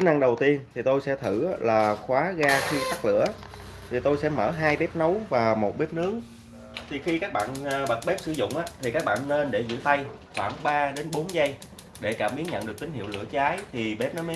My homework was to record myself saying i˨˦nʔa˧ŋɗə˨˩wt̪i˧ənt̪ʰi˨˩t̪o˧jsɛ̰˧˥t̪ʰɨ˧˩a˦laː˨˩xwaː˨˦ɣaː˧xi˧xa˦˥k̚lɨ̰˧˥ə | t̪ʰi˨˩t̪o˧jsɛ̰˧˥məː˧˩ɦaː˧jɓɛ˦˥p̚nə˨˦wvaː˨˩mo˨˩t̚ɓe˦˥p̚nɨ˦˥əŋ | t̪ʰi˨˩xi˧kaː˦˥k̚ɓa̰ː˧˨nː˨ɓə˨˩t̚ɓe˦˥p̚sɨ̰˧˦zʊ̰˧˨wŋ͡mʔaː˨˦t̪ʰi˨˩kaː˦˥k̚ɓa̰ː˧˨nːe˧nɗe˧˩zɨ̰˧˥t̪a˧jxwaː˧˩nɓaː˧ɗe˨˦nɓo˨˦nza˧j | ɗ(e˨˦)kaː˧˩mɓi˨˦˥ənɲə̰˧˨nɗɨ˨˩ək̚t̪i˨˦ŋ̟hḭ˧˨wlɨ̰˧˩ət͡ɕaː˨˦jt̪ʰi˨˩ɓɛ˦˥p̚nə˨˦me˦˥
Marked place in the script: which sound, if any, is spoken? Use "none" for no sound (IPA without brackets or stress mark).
e˧˩